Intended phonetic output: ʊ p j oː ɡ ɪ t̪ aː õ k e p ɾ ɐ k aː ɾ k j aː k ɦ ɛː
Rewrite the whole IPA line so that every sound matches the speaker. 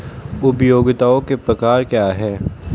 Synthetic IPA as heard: ʊ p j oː ɡ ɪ t̪ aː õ k e p ɾ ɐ k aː ɾ k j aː ɦ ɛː

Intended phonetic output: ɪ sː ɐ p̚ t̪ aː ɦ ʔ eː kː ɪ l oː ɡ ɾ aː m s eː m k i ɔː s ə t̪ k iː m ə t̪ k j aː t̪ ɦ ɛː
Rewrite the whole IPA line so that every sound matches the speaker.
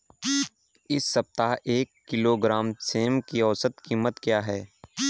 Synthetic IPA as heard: ɪ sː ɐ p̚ t̪ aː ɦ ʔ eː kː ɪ l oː ɡ ɾ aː m s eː m k i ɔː s ə t̪ k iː m ə t̪ k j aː ɦ ɛː

